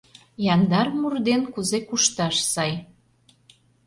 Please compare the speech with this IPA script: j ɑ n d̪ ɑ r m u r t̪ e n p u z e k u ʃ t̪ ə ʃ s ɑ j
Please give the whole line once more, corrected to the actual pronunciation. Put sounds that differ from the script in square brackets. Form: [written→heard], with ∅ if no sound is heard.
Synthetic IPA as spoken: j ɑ n d̪ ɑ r m u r [t̪→d̪] e n [p→k] u z e k u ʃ t̪ [ə→ɑ] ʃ s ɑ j